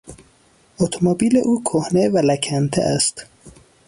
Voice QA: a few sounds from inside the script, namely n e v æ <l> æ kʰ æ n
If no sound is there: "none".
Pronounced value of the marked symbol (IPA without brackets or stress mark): l